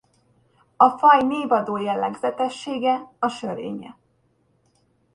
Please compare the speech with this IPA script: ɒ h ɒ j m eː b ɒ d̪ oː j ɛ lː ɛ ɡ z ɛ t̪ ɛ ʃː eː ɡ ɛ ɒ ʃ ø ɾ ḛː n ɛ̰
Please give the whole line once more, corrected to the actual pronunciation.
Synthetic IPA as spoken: ɒ f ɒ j n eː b ɒ d̪ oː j ɛ lː ɛ ɡ z ɛ t̪ ɛ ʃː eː ɡ ɛ ɒ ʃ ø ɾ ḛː ɲ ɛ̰